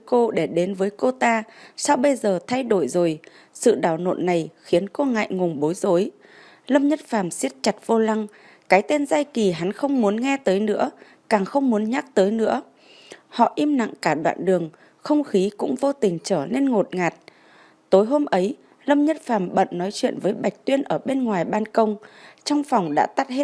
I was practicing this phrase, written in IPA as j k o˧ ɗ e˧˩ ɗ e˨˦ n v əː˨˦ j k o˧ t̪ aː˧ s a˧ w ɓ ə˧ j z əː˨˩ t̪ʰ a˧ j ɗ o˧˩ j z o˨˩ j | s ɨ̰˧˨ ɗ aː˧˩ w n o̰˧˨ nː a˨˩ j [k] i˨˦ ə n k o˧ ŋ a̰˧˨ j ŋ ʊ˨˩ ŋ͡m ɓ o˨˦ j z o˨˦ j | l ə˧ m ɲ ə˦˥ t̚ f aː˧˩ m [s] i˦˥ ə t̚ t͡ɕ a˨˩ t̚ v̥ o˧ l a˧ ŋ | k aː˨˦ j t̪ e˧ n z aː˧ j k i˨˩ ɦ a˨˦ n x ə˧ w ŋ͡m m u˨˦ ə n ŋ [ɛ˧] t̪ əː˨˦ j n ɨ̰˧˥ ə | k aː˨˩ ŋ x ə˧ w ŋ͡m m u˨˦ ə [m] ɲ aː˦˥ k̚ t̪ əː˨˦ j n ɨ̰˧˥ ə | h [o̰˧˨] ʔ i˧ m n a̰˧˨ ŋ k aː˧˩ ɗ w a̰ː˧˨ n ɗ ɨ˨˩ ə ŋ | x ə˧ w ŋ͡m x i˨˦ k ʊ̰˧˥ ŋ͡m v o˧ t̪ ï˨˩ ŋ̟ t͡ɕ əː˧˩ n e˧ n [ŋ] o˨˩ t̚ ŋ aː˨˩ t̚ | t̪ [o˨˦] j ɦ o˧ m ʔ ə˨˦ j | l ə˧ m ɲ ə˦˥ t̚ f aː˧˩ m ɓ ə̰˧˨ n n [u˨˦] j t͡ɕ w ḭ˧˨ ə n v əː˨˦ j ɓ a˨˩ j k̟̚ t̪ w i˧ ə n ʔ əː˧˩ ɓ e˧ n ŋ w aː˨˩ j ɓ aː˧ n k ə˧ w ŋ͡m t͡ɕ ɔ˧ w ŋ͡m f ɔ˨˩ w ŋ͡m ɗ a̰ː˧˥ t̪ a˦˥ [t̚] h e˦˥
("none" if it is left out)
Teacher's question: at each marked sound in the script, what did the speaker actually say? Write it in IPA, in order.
x, s, ɛ˧, n, ɔ̰˧˨, ŋ, o˨˦, ɔ˨˦, t̚

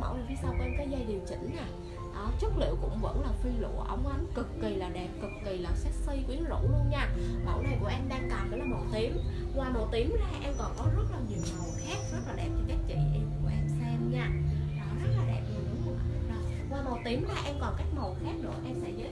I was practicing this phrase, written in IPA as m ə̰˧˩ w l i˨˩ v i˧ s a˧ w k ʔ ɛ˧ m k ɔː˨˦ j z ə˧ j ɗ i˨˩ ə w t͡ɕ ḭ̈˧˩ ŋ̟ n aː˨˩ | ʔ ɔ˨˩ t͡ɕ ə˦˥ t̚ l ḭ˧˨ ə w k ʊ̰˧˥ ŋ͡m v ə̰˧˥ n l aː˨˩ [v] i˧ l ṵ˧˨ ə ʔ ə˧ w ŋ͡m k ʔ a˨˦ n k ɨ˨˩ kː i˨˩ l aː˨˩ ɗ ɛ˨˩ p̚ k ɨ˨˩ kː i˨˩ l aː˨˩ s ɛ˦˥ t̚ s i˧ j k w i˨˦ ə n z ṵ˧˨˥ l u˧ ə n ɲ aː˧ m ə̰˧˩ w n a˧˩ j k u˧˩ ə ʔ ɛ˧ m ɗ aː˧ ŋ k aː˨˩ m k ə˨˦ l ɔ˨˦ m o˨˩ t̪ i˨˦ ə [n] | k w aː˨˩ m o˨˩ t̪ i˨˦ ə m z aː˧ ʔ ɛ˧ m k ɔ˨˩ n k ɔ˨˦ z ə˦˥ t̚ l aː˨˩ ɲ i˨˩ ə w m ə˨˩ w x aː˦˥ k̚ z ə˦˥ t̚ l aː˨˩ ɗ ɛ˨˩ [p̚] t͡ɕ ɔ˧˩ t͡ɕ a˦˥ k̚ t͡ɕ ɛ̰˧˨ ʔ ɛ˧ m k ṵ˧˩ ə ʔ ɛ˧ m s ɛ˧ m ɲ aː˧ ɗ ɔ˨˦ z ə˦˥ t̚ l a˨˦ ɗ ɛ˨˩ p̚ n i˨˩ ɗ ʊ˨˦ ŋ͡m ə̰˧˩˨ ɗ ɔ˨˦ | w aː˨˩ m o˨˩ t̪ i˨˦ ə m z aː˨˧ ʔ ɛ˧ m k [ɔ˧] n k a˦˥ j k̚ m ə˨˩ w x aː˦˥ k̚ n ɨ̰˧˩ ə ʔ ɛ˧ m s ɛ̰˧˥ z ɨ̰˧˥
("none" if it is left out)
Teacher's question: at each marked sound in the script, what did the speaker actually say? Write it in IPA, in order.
f, m, p̚, ɔ˨˩

